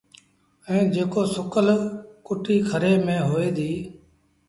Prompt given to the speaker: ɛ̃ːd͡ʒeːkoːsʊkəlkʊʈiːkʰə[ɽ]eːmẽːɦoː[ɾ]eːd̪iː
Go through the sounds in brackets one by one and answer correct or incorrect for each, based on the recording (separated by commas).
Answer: incorrect, incorrect